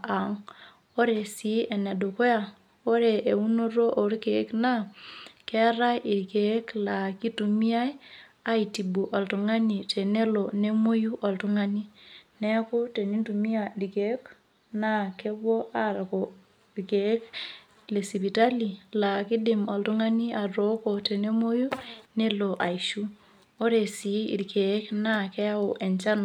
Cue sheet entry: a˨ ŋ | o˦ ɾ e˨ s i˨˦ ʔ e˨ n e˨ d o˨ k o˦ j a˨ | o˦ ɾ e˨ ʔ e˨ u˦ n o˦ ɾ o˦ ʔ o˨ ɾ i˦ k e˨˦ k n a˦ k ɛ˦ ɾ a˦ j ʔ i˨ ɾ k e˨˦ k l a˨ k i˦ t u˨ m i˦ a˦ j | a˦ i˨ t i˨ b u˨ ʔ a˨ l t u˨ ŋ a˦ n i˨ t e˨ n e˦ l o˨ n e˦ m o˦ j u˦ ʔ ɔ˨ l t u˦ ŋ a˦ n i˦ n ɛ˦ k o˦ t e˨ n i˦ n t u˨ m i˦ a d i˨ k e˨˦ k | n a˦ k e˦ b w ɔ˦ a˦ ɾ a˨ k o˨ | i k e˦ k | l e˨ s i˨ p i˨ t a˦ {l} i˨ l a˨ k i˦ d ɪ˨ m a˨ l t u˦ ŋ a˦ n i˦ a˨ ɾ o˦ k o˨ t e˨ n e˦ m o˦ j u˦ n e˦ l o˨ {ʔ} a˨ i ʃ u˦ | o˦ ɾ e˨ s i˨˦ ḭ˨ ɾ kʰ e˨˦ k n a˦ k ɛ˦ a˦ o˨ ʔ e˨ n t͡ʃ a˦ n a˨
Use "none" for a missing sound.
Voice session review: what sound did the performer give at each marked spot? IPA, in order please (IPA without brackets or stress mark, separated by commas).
l, ʔ